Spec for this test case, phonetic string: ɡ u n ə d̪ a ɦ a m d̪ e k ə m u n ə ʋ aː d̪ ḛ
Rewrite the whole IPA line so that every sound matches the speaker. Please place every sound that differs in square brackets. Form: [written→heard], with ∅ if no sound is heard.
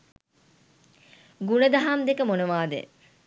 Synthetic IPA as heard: ɡ u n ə d̪ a ɦ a m d̪ e k ə m [u→o] n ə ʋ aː d̪ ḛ